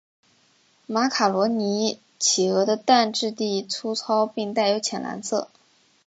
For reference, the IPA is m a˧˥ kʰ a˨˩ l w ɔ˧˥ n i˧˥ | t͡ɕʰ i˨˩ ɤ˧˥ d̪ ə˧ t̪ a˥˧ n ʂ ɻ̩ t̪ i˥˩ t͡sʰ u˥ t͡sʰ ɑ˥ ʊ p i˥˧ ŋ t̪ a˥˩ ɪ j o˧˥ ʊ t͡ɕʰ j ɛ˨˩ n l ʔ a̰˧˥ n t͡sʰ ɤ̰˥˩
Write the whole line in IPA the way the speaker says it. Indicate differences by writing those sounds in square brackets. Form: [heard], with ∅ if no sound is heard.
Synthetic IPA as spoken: m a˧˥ kʰ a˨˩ l w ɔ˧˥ n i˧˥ | t͡ɕʰ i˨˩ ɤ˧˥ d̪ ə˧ t̪ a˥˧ n [ʈ͡ʂ] ɻ̩ t̪ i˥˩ t͡sʰ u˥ t͡sʰ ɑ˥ ʊ p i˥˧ ŋ t̪ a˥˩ ɪ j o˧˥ ʊ t͡ɕʰ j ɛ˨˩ n l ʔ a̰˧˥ n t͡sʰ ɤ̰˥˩